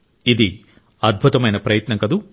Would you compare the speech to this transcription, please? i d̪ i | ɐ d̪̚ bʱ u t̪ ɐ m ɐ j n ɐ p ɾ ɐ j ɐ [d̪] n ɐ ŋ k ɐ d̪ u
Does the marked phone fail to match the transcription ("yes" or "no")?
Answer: yes